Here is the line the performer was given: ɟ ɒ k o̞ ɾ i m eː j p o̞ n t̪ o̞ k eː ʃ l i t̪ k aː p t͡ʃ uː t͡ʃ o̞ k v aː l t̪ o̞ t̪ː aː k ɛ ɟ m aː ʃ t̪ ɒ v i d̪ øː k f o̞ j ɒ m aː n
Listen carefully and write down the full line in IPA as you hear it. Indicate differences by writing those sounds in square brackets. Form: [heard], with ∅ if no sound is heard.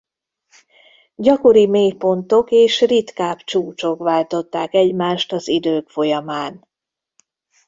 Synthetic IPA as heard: ɟ ɒ k o̞ ɾ i m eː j p o̞ n t̪ o̞ k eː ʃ [r] i t̪ k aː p t͡ʃ uː t͡ʃ o̞ k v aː l t̪ o̞ t̪ː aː k ɛ ɟ m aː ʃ t̪ ɒ [z] i d̪ øː k f o̞ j ɒ m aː n